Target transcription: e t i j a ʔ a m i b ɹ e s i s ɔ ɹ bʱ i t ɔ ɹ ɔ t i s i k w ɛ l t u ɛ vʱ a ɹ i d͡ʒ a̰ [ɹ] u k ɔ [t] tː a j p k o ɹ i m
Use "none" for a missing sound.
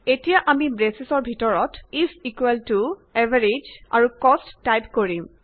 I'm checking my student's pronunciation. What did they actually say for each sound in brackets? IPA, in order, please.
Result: ɹ, s

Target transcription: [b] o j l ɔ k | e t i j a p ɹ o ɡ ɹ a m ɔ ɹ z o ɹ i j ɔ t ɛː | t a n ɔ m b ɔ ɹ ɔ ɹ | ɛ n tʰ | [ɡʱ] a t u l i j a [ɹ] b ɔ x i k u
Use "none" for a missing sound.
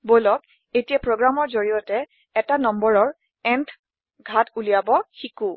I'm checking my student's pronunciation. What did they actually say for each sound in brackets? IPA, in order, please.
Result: b, ɡʱ, none

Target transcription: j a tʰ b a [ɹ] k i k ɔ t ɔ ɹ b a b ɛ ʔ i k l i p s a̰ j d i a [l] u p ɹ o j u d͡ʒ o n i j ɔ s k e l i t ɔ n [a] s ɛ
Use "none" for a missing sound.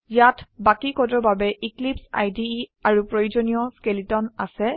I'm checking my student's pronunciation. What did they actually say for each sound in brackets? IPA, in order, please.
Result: none, ɹ, a

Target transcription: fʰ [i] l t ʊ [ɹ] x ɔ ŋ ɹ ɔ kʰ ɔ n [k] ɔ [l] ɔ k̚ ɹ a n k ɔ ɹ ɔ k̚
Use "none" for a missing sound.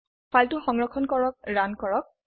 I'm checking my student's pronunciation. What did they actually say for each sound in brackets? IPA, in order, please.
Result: a, none, k, ɹ

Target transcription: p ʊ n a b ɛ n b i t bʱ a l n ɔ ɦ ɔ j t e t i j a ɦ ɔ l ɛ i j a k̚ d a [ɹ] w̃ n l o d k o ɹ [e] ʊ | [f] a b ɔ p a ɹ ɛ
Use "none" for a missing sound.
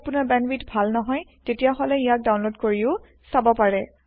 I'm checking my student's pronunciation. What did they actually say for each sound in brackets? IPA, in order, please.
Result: none, i, s

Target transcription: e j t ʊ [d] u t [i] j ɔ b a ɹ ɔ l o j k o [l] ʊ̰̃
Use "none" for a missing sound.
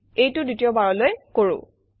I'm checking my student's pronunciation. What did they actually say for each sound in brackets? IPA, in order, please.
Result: d, i, ɹ

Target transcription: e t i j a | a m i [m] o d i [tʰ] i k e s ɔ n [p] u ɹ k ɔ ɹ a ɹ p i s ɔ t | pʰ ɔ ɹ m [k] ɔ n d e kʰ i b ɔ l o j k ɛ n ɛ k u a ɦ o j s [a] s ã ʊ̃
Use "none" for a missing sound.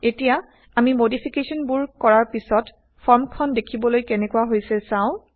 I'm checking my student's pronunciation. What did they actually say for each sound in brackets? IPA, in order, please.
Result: m, pʰ, b, kʰ, ɛ

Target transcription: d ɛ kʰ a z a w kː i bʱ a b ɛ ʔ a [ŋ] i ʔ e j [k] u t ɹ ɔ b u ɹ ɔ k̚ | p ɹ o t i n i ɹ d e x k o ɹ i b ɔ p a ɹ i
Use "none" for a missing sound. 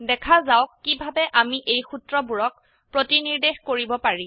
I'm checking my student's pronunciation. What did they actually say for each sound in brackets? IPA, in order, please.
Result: m, x

